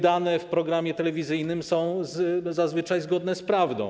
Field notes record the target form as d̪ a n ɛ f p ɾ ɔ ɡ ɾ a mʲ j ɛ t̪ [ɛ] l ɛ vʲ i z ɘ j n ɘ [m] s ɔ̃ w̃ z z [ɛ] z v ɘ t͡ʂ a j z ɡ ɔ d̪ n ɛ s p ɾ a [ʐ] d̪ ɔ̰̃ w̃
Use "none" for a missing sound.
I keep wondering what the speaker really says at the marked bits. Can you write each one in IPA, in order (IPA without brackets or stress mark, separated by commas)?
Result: ɛ, m, a, v